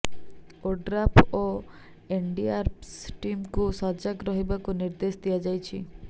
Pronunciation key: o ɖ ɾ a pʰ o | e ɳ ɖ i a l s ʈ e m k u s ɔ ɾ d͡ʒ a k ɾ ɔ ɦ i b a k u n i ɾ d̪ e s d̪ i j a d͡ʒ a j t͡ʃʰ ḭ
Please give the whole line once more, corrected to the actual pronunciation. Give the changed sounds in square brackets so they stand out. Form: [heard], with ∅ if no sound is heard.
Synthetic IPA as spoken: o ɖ ɾ a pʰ o | e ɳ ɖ i a [ɾ] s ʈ [i] m k u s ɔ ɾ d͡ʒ a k ɾ ɔ ɦ i b a k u n i ɾ d̪ e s d̪ i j a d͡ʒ a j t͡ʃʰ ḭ